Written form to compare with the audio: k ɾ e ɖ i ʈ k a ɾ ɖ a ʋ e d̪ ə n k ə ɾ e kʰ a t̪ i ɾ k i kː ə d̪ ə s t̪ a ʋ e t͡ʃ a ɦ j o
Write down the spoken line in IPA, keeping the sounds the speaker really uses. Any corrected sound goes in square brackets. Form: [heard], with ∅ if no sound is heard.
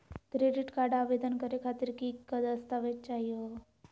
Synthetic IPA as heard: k ɾ e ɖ i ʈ k a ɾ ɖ a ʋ e d̪ ə n k ə ɾ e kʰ a t̪ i ɾ k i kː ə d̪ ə s t̪ a ʋ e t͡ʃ a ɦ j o